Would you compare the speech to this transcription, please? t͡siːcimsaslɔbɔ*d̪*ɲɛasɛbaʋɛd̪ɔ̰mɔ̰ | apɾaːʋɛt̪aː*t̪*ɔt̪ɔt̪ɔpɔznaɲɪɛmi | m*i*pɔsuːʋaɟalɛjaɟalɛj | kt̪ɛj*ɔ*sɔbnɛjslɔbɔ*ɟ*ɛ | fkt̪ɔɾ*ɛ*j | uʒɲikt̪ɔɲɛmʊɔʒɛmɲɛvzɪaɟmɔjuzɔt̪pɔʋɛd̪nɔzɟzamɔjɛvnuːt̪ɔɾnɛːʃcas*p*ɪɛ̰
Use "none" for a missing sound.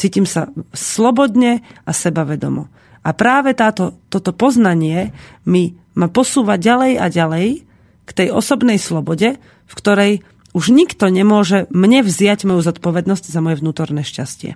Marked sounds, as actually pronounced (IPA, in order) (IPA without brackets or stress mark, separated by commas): d̪, t̪, a, ɔ, ɟ, ɛ, c